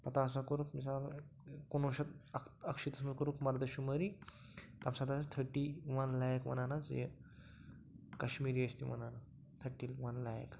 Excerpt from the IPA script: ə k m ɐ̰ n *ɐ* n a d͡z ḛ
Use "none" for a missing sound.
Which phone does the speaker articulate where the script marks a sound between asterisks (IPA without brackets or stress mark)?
a